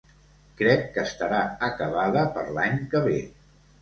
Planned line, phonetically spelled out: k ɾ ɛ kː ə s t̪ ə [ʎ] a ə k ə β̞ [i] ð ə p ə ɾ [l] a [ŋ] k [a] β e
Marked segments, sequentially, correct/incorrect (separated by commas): incorrect, incorrect, correct, incorrect, incorrect